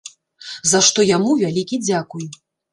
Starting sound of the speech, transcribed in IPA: z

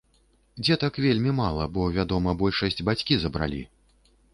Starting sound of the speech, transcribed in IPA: d͡zʲ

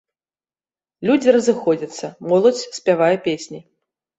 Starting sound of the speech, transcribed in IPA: lʲ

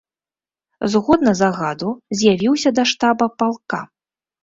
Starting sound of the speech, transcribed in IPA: z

